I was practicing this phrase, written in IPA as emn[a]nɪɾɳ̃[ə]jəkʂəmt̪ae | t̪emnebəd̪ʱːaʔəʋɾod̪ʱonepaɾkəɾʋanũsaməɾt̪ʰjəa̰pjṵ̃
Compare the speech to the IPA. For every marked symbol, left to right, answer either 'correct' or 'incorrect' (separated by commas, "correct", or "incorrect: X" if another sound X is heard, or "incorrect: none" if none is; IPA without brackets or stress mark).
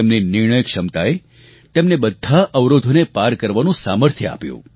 incorrect: i, correct